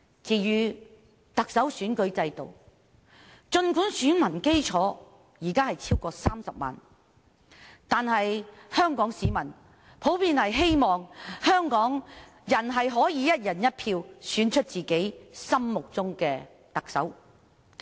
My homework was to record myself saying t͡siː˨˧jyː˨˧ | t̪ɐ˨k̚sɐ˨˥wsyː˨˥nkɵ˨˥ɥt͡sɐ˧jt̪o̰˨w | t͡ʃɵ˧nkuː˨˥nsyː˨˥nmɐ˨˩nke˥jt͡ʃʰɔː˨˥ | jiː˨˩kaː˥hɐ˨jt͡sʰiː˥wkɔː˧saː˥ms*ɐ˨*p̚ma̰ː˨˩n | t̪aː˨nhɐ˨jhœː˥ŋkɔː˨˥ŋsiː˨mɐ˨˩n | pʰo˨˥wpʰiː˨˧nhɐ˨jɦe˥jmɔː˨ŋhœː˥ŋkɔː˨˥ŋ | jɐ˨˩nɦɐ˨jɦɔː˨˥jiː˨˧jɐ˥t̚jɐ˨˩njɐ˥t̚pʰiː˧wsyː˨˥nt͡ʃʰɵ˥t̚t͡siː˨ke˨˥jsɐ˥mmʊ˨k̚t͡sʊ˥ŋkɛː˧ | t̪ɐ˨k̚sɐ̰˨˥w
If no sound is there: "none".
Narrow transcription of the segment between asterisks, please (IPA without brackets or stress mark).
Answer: ɐ˨